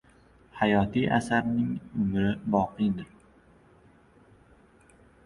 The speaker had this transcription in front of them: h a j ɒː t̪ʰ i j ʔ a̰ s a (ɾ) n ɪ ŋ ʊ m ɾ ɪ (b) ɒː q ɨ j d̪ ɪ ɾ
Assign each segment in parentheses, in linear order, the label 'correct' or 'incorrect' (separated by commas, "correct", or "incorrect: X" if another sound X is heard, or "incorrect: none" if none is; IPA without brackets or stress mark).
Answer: correct, correct